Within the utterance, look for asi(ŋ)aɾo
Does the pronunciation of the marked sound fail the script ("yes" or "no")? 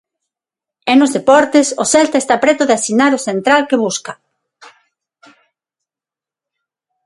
yes